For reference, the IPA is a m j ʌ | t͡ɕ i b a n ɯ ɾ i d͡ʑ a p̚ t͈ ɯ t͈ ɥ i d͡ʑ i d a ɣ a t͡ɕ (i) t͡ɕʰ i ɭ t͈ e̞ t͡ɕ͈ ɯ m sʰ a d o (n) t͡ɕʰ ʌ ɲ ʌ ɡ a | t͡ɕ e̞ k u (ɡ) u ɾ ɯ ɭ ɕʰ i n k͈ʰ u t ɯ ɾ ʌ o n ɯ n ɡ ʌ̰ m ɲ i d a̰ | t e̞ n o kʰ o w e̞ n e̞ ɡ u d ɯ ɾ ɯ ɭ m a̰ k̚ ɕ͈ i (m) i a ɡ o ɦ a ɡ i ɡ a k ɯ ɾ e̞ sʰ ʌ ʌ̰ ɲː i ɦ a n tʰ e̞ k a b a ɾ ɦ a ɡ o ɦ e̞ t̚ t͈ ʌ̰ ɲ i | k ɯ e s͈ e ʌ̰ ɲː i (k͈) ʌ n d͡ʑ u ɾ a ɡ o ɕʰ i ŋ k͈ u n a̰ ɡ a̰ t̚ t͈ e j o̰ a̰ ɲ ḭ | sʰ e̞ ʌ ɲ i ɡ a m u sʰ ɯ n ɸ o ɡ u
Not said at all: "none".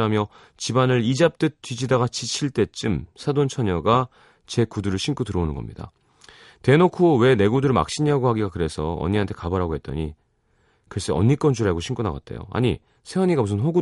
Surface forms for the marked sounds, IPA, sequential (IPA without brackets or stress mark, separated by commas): i, n, d, ɲ, k͈